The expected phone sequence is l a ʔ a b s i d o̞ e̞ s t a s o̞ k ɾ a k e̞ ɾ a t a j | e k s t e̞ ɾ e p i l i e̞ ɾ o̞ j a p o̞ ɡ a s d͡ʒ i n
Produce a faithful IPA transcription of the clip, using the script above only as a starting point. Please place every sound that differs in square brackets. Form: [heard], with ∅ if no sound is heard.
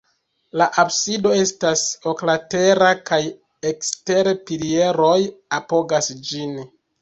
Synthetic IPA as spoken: l a ʔ a b s i d o̞ e̞ s t a s o̞ k [l] a [t] e̞ ɾ a [k] a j | e k s t e̞ ɾ e p i l i e̞ ɾ o̞ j a p o̞ ɡ a s d͡ʒ i n